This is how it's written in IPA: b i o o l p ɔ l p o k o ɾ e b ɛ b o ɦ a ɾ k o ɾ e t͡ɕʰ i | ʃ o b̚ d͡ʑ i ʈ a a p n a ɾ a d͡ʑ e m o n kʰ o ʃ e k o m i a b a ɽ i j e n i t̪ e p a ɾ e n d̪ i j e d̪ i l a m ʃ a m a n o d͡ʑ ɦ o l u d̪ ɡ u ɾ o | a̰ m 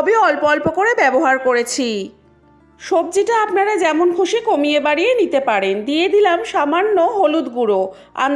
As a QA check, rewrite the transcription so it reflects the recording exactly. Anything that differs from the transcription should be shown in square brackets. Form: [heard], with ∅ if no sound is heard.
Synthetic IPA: b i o [ɔ] l p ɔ l p o k o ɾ e b ɛ b o ɦ a ɾ k o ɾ e t͡ɕʰ i | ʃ o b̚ d͡ʑ i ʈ a a p n a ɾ a d͡ʑ [ɛ] m o n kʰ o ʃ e k o m i [e] b a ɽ i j e n i t̪ e p a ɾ e n d̪ i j e d̪ i l a m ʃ a m a [nː] o [∅] ɦ o l u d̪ ɡ u ɾ o | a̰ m